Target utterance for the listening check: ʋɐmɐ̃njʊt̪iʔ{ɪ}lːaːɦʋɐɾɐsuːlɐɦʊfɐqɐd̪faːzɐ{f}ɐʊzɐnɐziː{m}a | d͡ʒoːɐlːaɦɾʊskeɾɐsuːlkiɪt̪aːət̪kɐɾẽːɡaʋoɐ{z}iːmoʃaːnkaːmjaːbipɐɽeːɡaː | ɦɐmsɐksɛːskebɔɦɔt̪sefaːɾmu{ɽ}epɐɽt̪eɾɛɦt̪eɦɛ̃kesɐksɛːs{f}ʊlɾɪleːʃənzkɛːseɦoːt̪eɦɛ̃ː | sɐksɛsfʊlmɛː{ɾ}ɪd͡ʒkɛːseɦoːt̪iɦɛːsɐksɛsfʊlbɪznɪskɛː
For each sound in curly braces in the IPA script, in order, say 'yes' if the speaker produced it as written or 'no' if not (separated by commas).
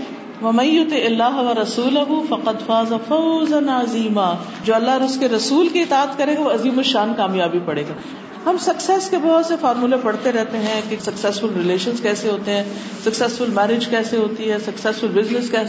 yes, yes, yes, yes, no, yes, yes